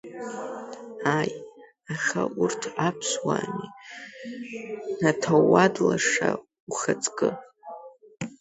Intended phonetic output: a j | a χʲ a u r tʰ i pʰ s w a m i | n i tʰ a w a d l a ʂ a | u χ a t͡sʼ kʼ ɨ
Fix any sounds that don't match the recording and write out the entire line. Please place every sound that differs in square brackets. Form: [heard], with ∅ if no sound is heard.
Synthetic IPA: a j | a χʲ a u r tʰ [a] pʰ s w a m i | n [a] tʰ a w a d l a ʂ a | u χ a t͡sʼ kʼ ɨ